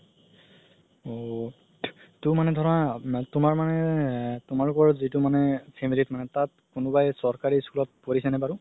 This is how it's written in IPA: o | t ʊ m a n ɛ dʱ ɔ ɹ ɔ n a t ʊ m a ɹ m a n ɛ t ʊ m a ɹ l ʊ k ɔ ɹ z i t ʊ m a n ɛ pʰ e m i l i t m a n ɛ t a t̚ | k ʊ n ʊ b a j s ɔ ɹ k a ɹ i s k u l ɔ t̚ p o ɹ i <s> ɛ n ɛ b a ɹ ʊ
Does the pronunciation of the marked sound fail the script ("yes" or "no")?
no